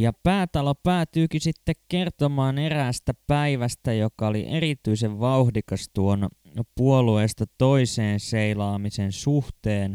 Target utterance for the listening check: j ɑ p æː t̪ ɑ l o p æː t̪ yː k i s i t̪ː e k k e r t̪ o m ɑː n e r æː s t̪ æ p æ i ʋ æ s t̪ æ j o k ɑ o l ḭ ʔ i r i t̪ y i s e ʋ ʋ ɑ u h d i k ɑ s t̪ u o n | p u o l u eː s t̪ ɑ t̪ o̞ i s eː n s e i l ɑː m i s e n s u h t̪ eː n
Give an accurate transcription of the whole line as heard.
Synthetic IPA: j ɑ p æː t̪ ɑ l o p æː t̪ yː k i s i t̪ː e k k e r t̪ o m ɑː n e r æː s t̪ æ p æ i ʋ æ s t̪ æ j o k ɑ o l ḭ ʔ e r i t̪ y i s e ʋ ʋ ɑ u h d i k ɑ s t̪ u o n | p u o l u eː s t̪ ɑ t̪ o̞ i s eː n s e i l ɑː m i s e n s u h t̪ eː n